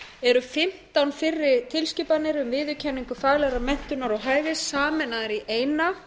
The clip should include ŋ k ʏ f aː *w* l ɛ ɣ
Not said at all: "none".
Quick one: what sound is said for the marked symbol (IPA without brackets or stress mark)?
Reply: ɣ